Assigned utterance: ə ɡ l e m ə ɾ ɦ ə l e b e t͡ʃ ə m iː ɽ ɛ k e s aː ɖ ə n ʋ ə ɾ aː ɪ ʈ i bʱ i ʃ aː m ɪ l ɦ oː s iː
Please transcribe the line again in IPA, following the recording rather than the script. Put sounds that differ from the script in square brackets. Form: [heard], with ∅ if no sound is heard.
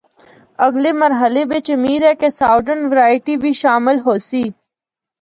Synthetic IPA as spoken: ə ɡ l e m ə ɾ ɦ ə l e b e t͡ʃ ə m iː [ɾ] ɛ k e s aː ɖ ə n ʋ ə ɾ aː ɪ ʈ i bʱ i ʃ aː m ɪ l ɦ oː s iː